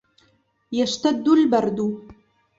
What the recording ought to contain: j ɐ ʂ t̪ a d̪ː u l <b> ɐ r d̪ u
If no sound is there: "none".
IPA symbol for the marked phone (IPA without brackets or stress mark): b